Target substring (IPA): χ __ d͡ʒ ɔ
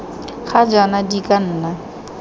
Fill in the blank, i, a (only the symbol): a